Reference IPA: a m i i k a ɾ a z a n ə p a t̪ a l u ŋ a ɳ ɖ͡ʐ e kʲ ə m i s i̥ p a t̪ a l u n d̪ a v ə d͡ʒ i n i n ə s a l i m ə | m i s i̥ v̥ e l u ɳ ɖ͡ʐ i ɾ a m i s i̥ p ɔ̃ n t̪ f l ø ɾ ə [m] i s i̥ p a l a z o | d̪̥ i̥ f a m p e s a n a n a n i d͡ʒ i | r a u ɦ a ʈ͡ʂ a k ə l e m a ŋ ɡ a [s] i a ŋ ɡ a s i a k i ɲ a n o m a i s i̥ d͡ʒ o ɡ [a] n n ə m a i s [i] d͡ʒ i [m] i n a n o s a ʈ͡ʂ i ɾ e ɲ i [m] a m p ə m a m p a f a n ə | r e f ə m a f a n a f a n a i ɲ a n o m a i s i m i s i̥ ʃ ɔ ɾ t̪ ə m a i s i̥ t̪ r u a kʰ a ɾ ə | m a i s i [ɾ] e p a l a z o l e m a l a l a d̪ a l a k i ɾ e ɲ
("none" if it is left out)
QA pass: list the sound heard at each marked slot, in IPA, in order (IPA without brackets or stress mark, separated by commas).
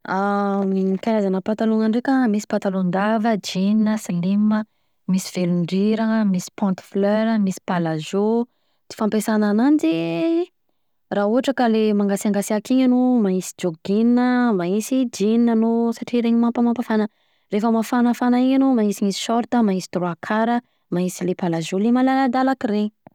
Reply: m, s, i, i, n, m, l